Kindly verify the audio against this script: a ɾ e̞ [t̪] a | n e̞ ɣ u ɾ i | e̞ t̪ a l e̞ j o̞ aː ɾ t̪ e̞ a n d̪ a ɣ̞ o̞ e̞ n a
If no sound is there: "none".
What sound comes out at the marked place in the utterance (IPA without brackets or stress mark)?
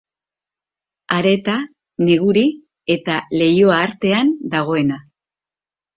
t̪